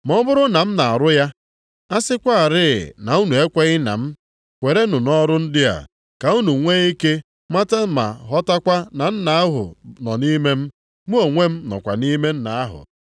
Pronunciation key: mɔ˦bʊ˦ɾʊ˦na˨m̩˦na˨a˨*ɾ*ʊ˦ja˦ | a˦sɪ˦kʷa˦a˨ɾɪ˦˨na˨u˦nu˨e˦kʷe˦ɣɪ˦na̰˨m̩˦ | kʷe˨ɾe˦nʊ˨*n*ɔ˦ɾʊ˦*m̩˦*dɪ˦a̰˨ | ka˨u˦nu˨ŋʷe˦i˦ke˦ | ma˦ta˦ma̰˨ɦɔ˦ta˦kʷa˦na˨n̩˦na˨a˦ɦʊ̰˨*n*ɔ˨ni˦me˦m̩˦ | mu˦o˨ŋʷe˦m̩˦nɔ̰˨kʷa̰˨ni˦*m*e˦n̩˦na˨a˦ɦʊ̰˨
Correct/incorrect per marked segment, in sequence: correct, correct, incorrect: n̩˦, correct, correct

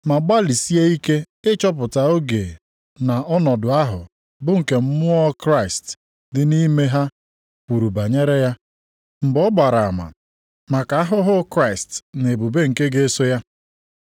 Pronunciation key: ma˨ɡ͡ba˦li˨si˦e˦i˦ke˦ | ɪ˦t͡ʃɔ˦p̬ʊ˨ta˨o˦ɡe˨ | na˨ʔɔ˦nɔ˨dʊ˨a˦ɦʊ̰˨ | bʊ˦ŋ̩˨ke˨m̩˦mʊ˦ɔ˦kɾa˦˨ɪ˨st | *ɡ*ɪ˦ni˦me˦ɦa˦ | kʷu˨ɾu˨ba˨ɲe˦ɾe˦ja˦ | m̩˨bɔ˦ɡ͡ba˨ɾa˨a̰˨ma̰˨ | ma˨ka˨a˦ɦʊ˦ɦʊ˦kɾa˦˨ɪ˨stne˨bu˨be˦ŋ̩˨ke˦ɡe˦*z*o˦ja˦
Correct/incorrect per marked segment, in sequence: incorrect: d, incorrect: s

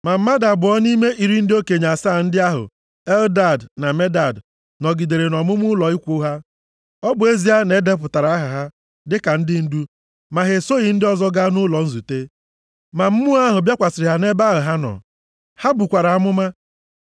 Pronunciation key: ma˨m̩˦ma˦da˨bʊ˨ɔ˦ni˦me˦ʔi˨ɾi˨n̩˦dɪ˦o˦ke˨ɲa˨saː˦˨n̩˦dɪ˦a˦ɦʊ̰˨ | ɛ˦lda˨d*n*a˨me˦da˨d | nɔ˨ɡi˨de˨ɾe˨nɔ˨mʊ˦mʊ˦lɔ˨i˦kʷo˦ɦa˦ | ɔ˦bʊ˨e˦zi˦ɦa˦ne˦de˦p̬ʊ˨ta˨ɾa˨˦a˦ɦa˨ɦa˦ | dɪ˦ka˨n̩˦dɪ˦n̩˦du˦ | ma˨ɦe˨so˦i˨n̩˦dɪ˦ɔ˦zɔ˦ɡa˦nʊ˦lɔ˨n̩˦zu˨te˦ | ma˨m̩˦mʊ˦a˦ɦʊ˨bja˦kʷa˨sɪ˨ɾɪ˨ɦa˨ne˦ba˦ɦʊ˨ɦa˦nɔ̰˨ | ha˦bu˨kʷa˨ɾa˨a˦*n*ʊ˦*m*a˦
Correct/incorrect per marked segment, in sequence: correct, incorrect: m, correct

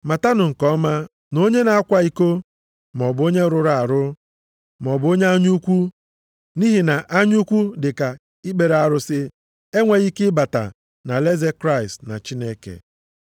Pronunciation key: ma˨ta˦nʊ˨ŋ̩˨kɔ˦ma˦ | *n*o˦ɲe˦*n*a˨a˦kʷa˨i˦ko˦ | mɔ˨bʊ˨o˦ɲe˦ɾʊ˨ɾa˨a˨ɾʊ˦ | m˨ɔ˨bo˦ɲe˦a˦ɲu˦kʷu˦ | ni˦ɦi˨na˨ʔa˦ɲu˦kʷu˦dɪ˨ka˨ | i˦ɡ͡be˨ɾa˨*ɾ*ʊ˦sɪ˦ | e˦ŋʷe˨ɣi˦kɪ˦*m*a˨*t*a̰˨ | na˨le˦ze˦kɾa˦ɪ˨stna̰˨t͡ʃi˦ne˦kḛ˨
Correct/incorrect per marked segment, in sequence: correct, correct, correct, incorrect: b, correct

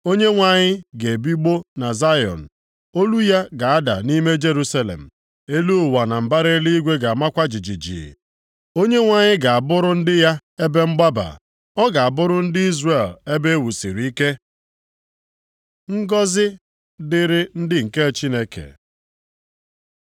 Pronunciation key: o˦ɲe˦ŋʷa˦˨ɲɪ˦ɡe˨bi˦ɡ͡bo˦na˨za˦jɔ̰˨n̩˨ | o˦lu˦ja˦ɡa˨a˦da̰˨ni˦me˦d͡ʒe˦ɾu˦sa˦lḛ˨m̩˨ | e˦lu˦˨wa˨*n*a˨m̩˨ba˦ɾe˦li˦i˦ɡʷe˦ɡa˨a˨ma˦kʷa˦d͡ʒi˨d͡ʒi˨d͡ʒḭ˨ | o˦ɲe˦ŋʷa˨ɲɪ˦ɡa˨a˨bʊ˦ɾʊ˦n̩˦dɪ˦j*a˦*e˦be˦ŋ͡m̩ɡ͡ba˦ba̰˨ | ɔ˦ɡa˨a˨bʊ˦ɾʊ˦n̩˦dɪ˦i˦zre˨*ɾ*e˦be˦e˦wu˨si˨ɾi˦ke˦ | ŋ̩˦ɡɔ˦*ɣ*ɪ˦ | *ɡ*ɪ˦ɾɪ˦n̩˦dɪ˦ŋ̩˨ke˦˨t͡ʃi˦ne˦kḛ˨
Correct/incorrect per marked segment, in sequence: correct, correct, incorrect: l, incorrect: z, incorrect: d

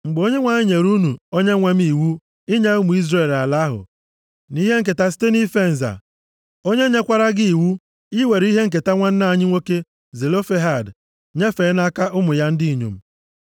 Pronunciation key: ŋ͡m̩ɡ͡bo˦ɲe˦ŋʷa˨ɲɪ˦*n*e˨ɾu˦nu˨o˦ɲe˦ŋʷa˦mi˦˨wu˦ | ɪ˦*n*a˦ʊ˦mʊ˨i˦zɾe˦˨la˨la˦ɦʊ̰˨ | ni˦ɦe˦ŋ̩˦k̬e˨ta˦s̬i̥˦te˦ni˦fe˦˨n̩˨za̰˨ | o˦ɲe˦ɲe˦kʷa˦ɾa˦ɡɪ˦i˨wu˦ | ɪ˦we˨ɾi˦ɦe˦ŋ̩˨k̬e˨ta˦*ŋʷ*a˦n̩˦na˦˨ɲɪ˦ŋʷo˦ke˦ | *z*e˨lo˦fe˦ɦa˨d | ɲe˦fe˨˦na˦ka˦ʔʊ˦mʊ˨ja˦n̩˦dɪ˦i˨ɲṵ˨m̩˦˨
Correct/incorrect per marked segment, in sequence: incorrect: ɲ, incorrect: ɲ, correct, correct

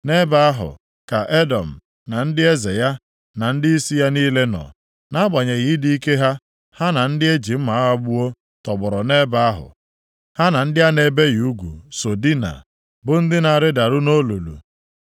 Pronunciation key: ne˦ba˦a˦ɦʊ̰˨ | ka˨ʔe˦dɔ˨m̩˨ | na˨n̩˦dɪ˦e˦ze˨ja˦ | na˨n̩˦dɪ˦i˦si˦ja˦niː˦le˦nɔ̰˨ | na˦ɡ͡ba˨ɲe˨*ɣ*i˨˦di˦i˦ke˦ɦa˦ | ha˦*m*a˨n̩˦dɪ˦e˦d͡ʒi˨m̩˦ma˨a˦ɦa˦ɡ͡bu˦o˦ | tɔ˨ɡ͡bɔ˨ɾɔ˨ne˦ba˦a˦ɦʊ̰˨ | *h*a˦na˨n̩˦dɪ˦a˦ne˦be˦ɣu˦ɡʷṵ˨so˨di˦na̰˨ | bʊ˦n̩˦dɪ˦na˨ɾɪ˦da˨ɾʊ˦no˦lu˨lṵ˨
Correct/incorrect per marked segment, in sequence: correct, incorrect: n, correct

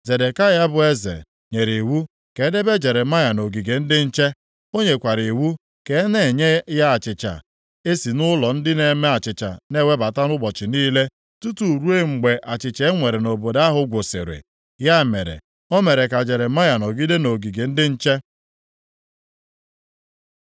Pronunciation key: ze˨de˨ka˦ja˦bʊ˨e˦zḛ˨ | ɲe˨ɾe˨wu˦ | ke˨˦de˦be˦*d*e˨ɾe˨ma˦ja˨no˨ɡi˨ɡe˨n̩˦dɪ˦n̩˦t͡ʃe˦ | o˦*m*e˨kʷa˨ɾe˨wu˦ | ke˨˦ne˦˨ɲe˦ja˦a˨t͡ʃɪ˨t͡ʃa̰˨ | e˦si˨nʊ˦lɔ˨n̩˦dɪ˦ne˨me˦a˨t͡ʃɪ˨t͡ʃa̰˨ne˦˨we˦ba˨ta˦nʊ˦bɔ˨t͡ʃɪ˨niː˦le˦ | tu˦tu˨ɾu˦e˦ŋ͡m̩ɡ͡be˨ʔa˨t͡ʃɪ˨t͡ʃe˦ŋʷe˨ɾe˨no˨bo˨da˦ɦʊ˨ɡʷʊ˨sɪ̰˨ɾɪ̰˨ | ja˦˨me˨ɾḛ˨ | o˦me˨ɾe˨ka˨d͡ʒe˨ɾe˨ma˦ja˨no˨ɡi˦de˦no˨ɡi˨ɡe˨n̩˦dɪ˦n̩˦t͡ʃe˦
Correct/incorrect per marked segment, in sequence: incorrect: d͡ʒ, incorrect: ɲ

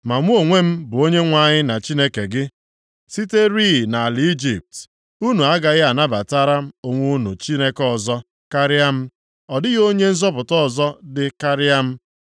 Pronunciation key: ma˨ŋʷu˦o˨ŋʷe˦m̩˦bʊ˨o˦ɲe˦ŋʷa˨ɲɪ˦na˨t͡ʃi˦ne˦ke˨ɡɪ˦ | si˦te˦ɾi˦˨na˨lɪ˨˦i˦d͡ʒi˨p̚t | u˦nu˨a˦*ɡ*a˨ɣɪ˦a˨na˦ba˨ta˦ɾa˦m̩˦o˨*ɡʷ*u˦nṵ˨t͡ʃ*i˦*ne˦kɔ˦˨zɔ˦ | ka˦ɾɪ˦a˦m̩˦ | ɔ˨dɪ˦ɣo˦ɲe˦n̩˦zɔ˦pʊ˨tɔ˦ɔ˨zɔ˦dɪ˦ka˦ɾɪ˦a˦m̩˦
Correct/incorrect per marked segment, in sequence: correct, incorrect: ŋʷ, correct

